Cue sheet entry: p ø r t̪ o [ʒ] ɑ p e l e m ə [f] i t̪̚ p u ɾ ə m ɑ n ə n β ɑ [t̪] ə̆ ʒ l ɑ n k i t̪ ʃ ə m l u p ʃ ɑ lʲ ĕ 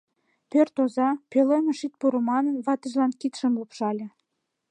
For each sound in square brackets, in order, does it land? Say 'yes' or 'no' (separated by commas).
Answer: no, no, yes